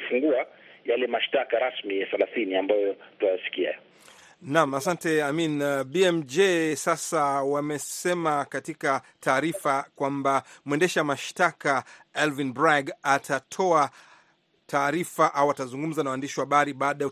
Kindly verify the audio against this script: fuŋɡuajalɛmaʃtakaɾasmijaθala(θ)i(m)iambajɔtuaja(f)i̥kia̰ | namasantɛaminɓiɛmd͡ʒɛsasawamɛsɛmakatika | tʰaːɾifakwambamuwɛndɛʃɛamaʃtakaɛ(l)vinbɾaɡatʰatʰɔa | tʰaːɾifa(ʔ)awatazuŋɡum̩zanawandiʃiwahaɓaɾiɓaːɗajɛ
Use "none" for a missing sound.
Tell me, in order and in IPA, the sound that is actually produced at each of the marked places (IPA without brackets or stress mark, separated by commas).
θ, n, s, l, ʔ